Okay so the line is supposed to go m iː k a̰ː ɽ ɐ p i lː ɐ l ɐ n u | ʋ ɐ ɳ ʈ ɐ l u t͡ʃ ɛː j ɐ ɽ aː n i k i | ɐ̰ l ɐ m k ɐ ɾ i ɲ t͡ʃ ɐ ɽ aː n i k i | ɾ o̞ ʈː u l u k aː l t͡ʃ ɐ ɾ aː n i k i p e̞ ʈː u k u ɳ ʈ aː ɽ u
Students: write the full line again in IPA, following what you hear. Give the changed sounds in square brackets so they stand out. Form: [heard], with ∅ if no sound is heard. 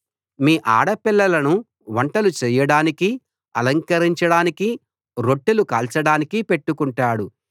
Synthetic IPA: m iː [ʔ] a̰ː ɽ ɐ p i lː ɐ l ɐ n u | ʋ ɐ ɳ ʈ ɐ l u t͡ʃ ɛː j ɐ ɽ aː n i k i | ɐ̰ l ɐ [ŋ] k ɐ ɾ i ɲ t͡ʃ ɐ ɽ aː n i k i | ɾ o̞ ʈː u l u k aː l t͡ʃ ɐ [ɽ] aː n i k i p e̞ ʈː u k u ɳ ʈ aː ɽ u

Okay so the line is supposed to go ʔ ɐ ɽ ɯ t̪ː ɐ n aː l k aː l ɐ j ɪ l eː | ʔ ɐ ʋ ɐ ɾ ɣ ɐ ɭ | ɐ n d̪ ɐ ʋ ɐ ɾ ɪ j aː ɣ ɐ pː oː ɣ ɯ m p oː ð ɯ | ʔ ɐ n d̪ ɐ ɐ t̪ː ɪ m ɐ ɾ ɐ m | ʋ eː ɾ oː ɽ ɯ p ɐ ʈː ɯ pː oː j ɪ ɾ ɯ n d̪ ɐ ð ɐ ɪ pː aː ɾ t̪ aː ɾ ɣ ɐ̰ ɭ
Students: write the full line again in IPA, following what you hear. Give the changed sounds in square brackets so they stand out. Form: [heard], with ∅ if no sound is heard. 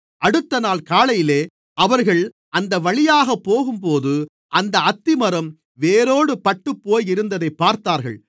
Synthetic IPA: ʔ ɐ ɽ ɯ t̪ː ɐ n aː l k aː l ɐ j ɪ l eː | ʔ ɐ ʋ ɐ ɾ ɣ ɐ ɭ | ɐ n d̪ ɐ ʋ ɐ [ɭ] ɪ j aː ɣ ɐ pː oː ɣ ɯ m p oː ð ɯ | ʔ ɐ n d̪ ɐ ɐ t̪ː ɪ m ɐ ɾ ɐ m | ʋ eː ɾ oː ɽ ɯ p ɐ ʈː ɯ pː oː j ɪ ɾ ɯ n d̪ ɐ ð ɐ ɪ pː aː ɾ t̪ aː ɾ ɣ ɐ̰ ɭ

